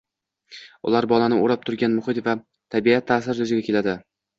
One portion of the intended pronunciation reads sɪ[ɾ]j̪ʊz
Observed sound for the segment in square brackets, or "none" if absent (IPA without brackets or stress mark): ɾ